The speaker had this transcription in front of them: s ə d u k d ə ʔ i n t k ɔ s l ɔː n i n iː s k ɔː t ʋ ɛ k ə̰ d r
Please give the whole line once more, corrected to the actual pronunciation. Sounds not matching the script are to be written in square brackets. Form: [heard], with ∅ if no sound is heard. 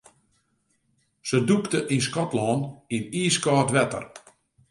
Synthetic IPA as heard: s ə d u k [t] ə ʔ i n [s] k ɔ [t] l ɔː n i n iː s k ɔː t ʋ ɛ [t] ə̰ [∅] r